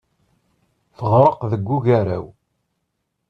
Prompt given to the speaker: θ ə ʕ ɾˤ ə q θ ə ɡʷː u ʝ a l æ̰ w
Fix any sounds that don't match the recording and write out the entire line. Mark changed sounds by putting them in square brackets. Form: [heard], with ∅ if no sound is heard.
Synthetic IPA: θ ə [ʁ] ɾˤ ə q [ð] ə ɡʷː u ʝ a [ɾ] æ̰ w